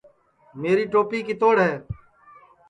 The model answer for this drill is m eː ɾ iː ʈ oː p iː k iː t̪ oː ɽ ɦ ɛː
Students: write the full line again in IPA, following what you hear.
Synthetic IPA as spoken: m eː ɾ iː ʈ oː p iː k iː t̪ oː ɽ ɦ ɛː